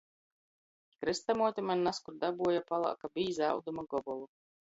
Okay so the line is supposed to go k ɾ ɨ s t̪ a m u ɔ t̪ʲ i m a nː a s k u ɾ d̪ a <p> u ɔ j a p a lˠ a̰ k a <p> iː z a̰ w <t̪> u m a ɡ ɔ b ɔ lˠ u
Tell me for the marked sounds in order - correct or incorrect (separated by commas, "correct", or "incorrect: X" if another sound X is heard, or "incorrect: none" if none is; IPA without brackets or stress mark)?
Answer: incorrect: b, incorrect: b, incorrect: d̪